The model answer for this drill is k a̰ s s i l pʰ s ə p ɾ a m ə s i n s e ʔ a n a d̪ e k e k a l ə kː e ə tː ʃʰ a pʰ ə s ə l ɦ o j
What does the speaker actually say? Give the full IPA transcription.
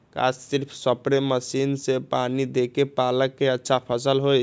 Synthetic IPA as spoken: k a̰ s s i ɾ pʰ s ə p ɾ e m ə s i n s e p a n i d̪ e k e p a l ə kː e ə tː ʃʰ a pʰ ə s ə l ɦ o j